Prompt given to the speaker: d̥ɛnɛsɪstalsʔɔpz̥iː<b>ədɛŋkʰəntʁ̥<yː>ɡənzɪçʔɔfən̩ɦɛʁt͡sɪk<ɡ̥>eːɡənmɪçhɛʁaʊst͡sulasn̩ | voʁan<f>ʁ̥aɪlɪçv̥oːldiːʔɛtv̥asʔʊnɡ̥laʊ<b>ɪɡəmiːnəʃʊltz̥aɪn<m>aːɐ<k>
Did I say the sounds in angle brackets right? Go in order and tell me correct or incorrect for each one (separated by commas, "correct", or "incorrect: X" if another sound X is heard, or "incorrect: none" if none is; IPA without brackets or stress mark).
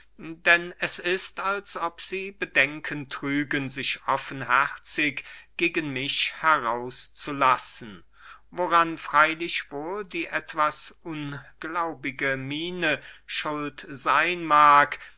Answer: correct, correct, correct, correct, correct, correct, correct